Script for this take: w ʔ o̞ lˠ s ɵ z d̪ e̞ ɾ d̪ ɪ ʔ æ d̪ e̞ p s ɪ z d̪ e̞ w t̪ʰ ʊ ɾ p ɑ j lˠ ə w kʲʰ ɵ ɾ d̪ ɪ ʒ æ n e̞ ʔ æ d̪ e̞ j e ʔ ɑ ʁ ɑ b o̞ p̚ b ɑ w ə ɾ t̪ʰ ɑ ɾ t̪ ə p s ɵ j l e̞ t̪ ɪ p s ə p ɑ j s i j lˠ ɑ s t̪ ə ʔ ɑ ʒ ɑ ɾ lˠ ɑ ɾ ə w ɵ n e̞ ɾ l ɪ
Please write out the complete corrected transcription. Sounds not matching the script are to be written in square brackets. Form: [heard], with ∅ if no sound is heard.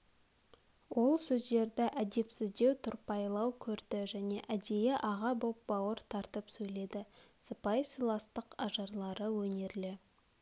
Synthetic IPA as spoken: w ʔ o̞ lˠ s ɵ z d̪ e̞ ɾ d̪ ɪ ʔ æ d̪ e̞ p s ɪ z d̪ e̞ w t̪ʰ ʊ ɾ p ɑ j lˠ [ɑ] w kʲʰ ɵ ɾ d̪ ɪ ʒ æ n e̞ ʔ æ d̪ e̞ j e ʔ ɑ ʁ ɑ b o̞ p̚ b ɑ w ə ɾ t̪ʰ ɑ ɾ t̪ ə p s ɵ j l e̞ [d̪] ɪ [∅] s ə p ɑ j s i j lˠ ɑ s t̪ ə [q] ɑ ʒ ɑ ɾ lˠ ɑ ɾ ə w ɵ n e̞ ɾ l ɪ

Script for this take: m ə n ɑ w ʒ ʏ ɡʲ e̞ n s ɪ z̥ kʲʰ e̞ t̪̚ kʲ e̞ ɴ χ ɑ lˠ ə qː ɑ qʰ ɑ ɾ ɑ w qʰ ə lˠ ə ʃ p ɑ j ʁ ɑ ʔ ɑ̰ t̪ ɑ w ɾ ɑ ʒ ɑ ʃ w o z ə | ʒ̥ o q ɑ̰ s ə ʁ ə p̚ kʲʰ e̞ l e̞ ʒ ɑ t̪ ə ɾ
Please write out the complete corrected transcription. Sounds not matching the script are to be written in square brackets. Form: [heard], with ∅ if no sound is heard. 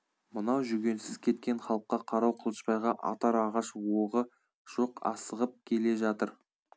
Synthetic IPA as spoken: m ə n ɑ w ʒ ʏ ɡʲ e̞ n s ɪ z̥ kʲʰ e̞ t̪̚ kʲ e̞ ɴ χ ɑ lˠ ə qː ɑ qʰ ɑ ɾ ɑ w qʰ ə lˠ ə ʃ p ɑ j ʁ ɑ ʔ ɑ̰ t̪ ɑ [∅] ɾ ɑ [ʁ] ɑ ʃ w o [ʁ] ə | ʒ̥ o q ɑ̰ s ə ʁ ə p̚ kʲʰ e̞ l e̞ ʒ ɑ t̪ ə ɾ

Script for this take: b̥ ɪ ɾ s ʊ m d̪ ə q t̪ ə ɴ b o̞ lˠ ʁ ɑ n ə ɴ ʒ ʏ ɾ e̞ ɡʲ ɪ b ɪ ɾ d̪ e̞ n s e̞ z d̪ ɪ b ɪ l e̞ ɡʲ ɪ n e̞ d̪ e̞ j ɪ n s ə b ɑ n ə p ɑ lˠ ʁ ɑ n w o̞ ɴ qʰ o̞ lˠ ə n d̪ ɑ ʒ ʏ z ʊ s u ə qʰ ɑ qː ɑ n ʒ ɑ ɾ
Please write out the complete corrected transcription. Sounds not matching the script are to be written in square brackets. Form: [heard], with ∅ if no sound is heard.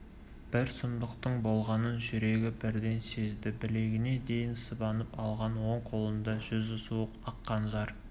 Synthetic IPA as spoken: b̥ ɪ ɾ s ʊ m d̪ ə q t̪ ə ɴ b o̞ lˠ ʁ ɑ n ə [n] ʒ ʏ ɾ e̞ ɡʲ ɪ b ɪ ɾ d̪ e̞ n s e̞ z d̪ ɪ b ɪ l e̞ ɡʲ ɪ n e̞ d̪ e̞ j ɪ n s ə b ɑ n ə p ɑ lˠ ʁ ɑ n w o̞ ɴ qʰ o̞ lˠ ə n d̪ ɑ ʒ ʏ z ʊ s u ə [q] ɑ qː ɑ n ʒ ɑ ɾ

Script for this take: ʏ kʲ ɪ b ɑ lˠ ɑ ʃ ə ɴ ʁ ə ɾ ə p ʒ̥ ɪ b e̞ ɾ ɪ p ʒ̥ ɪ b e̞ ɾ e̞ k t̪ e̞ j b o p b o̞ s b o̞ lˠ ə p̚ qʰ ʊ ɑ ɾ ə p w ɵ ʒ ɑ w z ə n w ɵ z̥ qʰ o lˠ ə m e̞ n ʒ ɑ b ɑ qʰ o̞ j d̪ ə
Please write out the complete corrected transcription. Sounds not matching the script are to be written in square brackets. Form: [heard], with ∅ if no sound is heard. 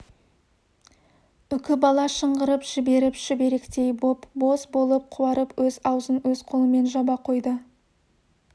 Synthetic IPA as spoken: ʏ kʲ ɪ b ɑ lˠ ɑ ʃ ə ɴ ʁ ə ɾ ə p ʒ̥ ɪ b e̞ ɾ ɪ p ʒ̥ ɪ b e̞ ɾ e̞ k t̪ e̞ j b o p b o̞ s b o̞ lˠ ə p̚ qʰ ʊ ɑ ɾ ə p w ɵ [z] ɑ w z ə n w ɵ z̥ qʰ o lˠ ə m e̞ n ʒ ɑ b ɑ qʰ o̞ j d̪ ə

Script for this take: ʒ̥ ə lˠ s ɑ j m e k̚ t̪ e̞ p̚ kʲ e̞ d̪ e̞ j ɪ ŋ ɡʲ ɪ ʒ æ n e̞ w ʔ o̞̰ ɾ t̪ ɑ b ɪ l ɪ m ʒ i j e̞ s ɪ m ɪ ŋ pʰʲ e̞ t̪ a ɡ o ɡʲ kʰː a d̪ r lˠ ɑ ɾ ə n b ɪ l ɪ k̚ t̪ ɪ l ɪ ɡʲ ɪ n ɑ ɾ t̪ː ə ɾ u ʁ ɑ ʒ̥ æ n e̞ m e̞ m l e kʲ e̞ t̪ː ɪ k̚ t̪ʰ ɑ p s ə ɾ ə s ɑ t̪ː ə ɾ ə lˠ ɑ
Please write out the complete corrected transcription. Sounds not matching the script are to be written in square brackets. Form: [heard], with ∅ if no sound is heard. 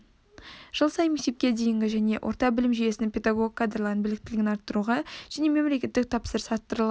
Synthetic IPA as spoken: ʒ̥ ə lˠ s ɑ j m e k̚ t̪ e̞ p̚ kʲ e̞ d̪ e̞ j ɪ ŋ ɡʲ ɪ ʒ æ n e̞ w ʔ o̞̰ ɾ t̪ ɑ b ɪ l ɪ m ʒ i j e̞ s ɪ [n] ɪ ŋ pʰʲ e̞ [d̪] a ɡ o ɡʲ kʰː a d̪ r lˠ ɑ ɾ ə n b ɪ l ɪ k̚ t̪ ɪ l ɪ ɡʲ ɪ n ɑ ɾ t̪ː ə ɾ u ʁ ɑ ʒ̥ æ n e̞ m e̞ m l e kʲ e̞ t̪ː ɪ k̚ t̪ʰ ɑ p s ə ɾ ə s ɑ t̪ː ə ɾ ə lˠ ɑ

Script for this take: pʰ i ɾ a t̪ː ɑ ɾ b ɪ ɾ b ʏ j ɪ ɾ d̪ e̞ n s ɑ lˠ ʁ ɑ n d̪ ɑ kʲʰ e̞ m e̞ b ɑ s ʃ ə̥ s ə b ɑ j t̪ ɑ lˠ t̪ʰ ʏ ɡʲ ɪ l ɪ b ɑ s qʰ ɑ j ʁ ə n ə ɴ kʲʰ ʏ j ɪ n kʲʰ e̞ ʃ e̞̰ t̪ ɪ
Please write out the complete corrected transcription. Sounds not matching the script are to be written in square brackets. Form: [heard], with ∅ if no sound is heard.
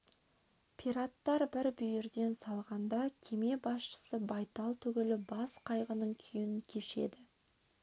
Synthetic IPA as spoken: pʰ i ɾ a t̪ː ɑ ɾ b ɪ ɾ b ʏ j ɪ ɾ d̪ e̞ n s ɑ lˠ ʁ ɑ n d̪ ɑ kʲʰ e̞ m e̞ b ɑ s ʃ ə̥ s ə b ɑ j t̪ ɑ lˠ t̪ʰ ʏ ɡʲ ɪ l ɪ b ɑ s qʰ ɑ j ʁ ə n ə ɴ kʲʰ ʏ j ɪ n kʲʰ e̞ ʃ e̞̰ [d̪] ɪ

